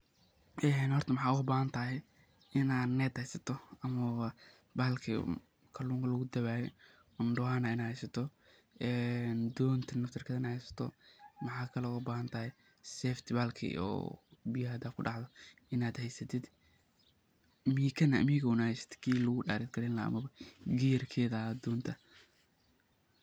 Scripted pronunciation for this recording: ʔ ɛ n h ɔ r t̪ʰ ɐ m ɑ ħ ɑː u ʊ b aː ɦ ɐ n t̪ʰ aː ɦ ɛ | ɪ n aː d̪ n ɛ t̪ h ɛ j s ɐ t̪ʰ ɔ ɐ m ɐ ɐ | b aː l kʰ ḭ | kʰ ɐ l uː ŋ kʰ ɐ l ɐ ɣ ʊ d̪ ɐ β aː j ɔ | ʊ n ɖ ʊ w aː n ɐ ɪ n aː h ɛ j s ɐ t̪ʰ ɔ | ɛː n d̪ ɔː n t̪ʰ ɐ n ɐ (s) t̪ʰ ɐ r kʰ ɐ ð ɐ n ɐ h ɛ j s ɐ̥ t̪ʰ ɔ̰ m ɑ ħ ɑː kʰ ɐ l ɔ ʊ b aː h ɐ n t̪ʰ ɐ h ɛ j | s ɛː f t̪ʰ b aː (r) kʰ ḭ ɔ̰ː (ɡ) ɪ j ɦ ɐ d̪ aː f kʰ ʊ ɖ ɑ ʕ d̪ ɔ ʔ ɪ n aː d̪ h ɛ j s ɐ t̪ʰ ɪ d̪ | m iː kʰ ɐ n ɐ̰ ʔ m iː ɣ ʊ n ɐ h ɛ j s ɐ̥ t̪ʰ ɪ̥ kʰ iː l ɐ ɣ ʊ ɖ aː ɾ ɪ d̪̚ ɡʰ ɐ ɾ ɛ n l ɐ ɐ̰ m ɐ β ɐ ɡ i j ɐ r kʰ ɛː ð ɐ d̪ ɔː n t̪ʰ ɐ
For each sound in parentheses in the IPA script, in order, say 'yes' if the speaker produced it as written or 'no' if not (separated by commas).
no, no, no